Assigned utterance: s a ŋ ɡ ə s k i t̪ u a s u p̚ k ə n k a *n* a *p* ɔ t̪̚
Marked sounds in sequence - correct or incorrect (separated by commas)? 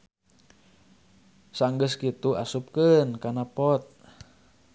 correct, correct